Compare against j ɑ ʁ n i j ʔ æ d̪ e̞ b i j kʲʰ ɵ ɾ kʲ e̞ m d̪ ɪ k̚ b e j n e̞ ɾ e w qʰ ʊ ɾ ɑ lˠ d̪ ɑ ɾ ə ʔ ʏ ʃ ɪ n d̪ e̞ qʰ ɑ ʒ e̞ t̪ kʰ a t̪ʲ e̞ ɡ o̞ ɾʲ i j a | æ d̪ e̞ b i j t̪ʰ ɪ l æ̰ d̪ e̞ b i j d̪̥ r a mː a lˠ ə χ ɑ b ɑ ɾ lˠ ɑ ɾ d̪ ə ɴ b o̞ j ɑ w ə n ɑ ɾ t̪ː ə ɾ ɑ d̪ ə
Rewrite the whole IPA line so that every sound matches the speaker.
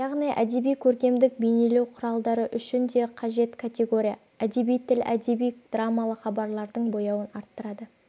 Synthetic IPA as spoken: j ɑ ʁ n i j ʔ æ d̪ e̞ b i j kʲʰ ɵ ɾ kʲ e̞ m d̪ ɪ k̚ b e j n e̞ l e w qʰ ʊ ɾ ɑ lˠ d̪ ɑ ɾ ə ʔ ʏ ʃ ɪ n d̪ e̞ qʰ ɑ ʒ e̞ t̪ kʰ a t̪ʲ e̞ ɡ o̞ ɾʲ i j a | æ d̪ e̞ b i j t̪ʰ ɪ l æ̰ d̪ e̞ b i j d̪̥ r a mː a lˠ ə χ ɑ b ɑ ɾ lˠ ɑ ɾ d̪ ə ɴ b o̞ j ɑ w ə n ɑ ɾ t̪ː ə ɾ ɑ d̪ ə